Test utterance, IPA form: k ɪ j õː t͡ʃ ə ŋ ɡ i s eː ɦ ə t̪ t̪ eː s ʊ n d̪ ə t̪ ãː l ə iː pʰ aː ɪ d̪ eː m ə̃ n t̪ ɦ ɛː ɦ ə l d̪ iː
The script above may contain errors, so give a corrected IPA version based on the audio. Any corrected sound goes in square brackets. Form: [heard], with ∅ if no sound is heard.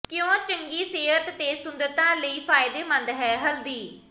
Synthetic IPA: k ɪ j õː t͡ʃ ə ŋ ɡ [iː] s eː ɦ ə t̪ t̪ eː s ʊ n d̪ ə t̪ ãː l ə iː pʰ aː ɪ d̪ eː m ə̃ n [d̪] ɦ ɛː ɦ ə l d̪ iː